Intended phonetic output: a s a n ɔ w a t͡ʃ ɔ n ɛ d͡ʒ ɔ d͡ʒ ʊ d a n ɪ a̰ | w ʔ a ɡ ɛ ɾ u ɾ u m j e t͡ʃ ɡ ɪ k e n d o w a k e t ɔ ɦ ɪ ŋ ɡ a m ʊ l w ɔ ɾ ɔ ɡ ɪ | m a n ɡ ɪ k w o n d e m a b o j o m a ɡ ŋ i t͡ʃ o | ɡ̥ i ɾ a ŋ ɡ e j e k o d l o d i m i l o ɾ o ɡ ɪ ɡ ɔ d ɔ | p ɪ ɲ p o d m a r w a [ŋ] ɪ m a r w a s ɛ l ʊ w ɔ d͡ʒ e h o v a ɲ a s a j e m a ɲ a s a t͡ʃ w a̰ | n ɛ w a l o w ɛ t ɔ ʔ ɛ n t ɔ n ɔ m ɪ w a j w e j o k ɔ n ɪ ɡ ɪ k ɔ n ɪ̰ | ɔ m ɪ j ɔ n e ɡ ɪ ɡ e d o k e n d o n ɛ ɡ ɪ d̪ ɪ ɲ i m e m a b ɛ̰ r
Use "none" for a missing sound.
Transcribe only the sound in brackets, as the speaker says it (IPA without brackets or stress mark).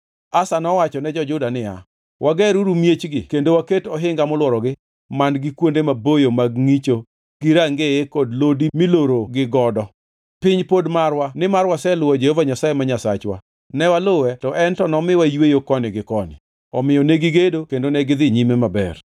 n